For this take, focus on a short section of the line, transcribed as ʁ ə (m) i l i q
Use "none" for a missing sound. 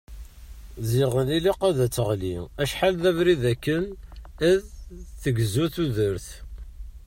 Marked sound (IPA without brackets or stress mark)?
n